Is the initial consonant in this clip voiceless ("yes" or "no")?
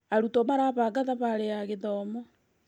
no